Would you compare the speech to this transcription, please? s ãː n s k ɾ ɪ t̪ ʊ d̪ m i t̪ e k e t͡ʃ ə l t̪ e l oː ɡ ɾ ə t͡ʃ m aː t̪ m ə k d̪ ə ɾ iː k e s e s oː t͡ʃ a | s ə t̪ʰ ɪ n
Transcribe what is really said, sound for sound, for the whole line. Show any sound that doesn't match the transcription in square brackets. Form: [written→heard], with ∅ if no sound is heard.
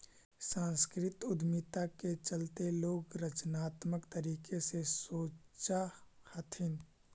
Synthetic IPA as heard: s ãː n s k ɾ ɪ t̪ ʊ d̪ m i t̪ [e→a] k e t͡ʃ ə l t̪ e l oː ɡ ɾ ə t͡ʃ [m→n] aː t̪ m ə k [d̪→t̪] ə ɾ iː k e s e s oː t͡ʃ a | [s→h] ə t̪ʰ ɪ n

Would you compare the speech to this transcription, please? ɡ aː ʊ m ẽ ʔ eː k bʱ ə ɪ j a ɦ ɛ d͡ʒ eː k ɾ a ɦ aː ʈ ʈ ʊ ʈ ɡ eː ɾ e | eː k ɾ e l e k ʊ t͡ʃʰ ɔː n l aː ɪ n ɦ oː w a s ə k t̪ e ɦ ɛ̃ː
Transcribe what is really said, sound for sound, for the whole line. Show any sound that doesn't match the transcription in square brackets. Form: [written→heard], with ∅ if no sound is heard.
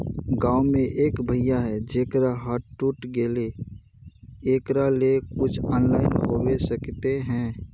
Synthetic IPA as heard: ɡ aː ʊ m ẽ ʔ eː k bʱ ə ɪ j a ɦ ɛ d͡ʒ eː k ɾ a ɦ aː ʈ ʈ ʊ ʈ ɡ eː [ɾ→l] e | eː k ɾ [e→a] l e k ʊ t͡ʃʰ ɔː n l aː ɪ n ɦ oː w [a→e] s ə k t̪ e ɦ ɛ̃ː

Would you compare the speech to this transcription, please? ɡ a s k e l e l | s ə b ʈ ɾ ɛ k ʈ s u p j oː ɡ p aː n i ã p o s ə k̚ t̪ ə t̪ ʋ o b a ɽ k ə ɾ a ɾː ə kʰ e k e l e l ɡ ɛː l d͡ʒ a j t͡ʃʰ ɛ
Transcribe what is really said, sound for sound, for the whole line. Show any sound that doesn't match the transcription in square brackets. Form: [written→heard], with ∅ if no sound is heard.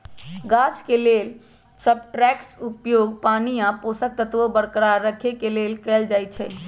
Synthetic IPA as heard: ɡ a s k e l e l | s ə b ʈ ɾ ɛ k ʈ s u p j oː ɡ p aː n i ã p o s ə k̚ t̪ ə t̪ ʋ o b [a→ə] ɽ k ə ɾ a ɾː ə kʰ e k e l e l [ɡ→k] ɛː l d͡ʒ a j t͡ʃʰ ɛ

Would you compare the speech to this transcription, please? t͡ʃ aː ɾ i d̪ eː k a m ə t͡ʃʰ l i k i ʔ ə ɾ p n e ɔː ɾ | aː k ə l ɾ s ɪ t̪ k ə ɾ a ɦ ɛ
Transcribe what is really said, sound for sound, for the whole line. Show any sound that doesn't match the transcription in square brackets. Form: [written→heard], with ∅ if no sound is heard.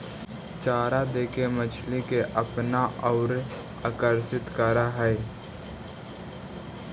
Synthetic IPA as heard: t͡ʃ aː ɾ [i→a] d̪ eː k [a→e] m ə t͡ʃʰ l i k [i→e] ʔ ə [ɾ→∅] p n [e→a] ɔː ɾ | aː k ə [l→∅] ɾ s ɪ t̪ k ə ɾ a ɦ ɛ

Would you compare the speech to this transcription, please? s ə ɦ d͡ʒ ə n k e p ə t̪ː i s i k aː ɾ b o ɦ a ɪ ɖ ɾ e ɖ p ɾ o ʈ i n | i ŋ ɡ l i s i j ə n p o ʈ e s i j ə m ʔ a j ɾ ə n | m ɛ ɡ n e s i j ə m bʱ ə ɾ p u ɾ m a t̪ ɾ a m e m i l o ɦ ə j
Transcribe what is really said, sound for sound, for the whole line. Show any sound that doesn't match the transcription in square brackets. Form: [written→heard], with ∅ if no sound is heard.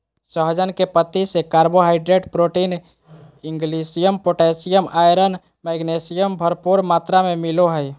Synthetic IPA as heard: s ə ɦ d͡ʒ ə n k e p ə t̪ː i s [i→e] k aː ɾ b o ɦ a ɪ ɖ ɾ e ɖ p ɾ o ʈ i n | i ŋ ɡ l i s i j ə [n→m] p o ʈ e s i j ə m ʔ a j ɾ ə n | m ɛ ɡ n e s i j ə m bʱ ə ɾ p u ɾ m a t̪ ɾ a m e m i l o ɦ ə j

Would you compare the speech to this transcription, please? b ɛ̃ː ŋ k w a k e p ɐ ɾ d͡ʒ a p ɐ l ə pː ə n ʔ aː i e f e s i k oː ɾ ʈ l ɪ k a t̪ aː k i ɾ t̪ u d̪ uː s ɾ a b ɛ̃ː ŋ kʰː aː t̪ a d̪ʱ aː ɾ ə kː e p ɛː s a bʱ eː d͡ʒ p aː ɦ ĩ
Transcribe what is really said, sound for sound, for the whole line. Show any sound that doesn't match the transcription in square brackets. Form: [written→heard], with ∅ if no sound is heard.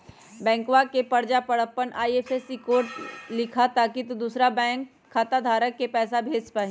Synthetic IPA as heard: b ɛ̃ː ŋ k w a k e p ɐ ɾ d͡ʒ a p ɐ [l→ɽ] ə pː ə n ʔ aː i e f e s i k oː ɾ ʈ l ɪ [k→kʰ] a t̪ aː k i [ɾ→∅] t̪ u d̪ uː s ɾ a b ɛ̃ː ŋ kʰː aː t̪ a d̪ʱ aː ɾ ə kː e p ɛː s a bʱ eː d͡ʒ p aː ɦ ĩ

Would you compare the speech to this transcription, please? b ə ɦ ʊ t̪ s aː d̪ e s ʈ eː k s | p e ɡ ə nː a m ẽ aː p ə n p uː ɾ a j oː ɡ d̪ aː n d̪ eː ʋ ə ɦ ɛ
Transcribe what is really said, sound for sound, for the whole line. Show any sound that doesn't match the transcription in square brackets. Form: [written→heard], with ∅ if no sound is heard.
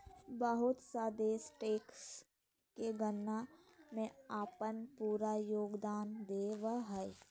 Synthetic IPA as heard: b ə ɦ ʊ t̪ s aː d̪ e s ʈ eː k s | [p→k] e ɡ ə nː a m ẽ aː p ə n p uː ɾ a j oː ɡ d̪ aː n d̪ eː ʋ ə ɦ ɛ

